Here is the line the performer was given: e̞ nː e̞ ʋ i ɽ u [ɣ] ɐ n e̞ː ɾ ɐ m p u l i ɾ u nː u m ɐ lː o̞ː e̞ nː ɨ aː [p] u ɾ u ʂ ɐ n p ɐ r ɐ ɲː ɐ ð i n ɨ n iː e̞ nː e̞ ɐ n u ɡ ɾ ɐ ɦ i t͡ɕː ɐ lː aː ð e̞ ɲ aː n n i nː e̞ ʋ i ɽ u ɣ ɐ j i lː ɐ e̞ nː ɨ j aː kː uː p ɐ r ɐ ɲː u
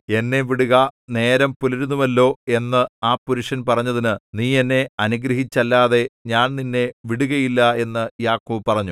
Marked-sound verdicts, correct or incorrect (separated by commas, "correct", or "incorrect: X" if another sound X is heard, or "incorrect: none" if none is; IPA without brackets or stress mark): correct, correct